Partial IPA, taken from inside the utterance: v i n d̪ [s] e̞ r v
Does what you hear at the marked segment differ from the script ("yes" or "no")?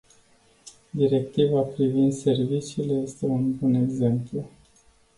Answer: no